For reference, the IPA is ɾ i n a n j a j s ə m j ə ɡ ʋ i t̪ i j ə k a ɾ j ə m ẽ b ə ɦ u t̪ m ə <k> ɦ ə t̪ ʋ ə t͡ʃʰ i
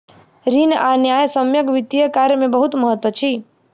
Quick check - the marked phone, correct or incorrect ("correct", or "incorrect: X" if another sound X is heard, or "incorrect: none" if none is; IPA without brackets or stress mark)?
incorrect: none